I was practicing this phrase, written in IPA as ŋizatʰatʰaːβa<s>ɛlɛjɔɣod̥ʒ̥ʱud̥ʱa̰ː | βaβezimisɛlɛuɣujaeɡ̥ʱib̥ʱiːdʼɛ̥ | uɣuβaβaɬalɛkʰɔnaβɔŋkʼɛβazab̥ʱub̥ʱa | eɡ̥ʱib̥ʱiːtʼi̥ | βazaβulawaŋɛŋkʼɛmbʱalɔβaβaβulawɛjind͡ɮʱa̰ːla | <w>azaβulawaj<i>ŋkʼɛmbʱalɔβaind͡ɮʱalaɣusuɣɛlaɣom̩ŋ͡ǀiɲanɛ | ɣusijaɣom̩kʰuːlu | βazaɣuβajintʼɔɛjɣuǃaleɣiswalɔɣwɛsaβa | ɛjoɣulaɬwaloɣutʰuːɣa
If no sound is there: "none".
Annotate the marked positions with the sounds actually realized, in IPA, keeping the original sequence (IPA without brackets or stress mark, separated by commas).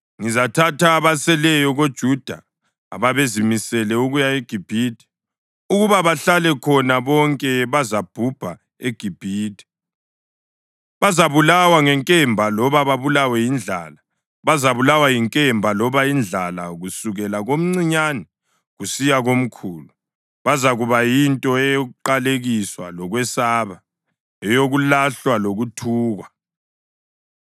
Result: s, β, i